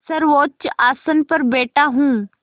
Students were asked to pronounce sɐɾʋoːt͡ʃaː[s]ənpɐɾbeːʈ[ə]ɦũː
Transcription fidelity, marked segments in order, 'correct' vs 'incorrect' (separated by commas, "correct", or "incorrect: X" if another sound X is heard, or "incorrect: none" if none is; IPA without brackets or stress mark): correct, incorrect: a